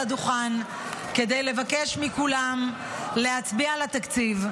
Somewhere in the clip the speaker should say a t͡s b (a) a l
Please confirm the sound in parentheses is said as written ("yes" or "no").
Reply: no